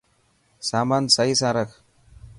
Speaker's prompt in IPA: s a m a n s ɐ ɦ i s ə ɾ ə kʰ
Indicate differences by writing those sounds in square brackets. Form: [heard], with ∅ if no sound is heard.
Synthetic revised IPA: s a m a n s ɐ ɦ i s [a] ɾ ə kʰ